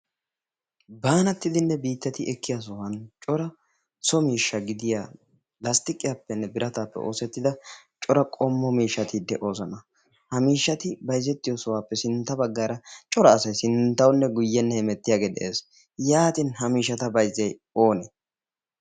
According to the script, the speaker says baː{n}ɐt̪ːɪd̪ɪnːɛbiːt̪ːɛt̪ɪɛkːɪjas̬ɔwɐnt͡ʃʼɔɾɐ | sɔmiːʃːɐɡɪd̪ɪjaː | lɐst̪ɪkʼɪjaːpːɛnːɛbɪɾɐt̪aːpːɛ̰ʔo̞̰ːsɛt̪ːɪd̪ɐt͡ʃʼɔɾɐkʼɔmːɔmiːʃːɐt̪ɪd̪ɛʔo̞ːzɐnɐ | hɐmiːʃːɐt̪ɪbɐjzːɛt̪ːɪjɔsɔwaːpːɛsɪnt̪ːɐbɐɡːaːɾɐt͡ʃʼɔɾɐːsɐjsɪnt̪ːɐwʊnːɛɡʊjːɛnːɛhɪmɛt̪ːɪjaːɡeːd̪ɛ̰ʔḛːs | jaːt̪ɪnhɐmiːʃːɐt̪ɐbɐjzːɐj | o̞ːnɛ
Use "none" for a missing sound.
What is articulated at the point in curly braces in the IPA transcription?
n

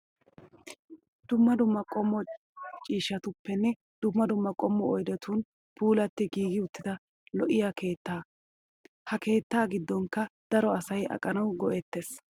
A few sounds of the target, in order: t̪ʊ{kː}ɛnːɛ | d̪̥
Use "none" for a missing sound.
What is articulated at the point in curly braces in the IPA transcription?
pː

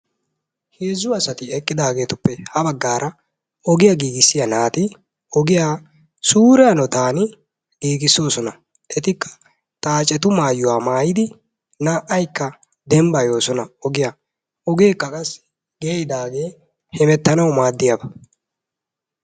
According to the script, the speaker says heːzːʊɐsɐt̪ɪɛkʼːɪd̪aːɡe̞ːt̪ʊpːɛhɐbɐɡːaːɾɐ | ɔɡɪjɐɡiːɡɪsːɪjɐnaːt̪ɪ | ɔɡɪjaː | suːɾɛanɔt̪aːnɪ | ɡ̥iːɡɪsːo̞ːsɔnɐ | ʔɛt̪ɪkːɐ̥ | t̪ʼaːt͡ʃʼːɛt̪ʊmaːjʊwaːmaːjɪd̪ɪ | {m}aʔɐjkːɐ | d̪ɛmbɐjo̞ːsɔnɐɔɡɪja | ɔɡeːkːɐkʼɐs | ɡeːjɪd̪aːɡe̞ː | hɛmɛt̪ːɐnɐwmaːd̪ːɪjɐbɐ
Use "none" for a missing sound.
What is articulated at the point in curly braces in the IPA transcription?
n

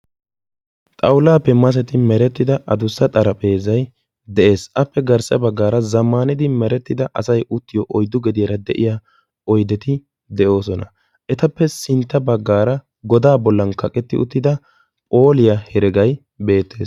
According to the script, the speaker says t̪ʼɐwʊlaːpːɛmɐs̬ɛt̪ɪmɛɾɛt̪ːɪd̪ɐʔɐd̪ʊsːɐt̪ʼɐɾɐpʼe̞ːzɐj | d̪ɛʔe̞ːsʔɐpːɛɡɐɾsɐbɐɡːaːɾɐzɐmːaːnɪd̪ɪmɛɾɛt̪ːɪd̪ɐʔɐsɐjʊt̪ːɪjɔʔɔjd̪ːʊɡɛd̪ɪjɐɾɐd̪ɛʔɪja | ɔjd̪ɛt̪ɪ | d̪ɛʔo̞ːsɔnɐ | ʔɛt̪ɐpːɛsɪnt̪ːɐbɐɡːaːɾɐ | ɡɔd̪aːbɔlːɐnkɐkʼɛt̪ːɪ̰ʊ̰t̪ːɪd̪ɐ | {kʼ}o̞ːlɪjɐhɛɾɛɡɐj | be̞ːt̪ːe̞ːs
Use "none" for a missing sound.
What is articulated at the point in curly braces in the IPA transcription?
pʼ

